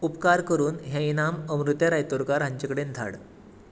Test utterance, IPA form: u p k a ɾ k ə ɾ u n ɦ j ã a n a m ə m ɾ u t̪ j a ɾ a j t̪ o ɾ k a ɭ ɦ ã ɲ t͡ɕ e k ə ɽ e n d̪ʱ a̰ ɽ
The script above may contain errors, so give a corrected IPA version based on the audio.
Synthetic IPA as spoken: u p k a ɾ k ə ɾ uː n ɦ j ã i n a m ə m ɾ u t̪ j a ɾ a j t̪ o ɾ k a ɾ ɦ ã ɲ t͡ɕ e k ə ɽ e n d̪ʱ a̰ ɽ